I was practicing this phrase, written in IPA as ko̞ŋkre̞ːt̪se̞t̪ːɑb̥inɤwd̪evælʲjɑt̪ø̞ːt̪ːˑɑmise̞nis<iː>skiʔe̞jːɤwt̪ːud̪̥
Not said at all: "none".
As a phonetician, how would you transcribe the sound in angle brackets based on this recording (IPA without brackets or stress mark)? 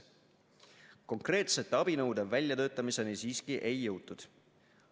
iː